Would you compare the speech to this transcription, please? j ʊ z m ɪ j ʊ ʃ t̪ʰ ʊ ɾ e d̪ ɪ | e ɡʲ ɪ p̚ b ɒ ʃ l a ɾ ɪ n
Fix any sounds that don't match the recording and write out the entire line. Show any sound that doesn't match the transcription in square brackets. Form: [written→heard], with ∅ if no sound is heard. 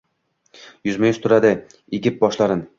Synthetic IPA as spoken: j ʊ z m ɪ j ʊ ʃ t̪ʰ ʊ ɾ [e→a] d̪ ɪ | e ɡʲ ɪ p̚ b ɒ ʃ l a ɾ ɪ n